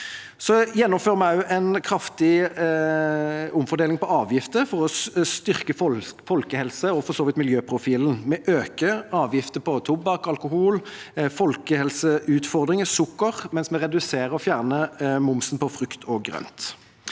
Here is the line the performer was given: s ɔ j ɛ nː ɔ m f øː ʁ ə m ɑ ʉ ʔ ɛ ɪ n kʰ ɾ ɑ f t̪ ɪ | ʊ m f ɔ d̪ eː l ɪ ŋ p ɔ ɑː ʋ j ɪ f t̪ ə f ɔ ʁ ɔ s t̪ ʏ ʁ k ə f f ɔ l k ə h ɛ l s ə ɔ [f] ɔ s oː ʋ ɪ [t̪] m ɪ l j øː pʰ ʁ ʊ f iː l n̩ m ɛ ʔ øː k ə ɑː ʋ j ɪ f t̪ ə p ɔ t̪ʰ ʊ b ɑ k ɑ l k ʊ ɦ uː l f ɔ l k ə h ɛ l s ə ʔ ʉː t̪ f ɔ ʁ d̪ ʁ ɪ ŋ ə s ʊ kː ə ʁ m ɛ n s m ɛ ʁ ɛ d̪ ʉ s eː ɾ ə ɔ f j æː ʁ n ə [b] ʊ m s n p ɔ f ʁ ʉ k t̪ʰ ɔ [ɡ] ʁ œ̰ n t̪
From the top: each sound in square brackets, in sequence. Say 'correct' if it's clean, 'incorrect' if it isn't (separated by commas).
correct, correct, incorrect, correct